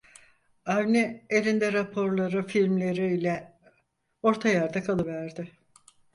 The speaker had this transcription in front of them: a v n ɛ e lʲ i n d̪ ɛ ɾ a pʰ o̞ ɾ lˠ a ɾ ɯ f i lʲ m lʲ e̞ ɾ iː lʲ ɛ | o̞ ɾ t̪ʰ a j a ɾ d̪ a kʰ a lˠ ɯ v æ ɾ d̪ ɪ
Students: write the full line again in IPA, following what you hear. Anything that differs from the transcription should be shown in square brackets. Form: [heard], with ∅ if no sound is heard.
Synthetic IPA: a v n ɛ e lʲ i n d̪ ɛ ɾ a pʰ o̞ ɾ lˠ a ɾ ɯ f i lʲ m lʲ e̞ ɾ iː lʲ ɛ | o̞ ɾ t̪ʰ a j a ɾ d̪ a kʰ a lˠ ɯ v æ ɾ d̪ ɪ